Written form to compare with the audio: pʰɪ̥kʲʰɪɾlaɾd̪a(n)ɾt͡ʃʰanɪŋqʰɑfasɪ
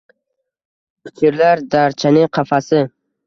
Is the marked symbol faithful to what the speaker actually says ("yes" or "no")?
no